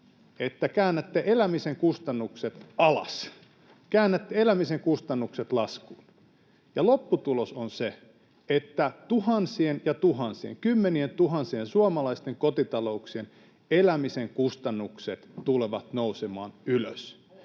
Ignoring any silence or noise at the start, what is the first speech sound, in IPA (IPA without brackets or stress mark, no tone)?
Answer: e